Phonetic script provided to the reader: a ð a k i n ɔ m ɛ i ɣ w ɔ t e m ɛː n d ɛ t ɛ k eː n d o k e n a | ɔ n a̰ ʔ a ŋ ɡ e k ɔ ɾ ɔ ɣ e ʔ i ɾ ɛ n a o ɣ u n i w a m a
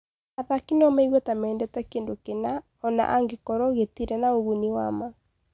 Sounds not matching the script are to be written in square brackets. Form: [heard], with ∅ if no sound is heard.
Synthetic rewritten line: a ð a k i n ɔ m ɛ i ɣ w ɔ t [a] m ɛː n d ɛ t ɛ k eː n d o k e n a | ɔ n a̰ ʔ a ŋ ɡ e k ɔ ɾ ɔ ɣ e [t] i ɾ ɛ n a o ɣ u n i w a m a